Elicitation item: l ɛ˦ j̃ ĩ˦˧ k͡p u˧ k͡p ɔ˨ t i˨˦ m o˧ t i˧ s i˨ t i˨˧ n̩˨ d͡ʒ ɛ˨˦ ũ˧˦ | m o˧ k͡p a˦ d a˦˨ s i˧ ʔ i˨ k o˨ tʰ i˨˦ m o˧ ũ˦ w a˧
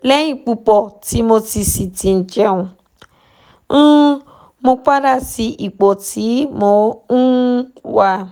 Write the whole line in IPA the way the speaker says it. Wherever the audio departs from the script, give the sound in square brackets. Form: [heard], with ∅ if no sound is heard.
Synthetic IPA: l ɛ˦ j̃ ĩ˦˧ k͡p u˧ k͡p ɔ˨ t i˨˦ m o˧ t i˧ s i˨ t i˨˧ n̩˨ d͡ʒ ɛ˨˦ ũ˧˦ | m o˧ k͡p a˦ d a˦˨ s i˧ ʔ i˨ [k͡p] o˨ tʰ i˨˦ m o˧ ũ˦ w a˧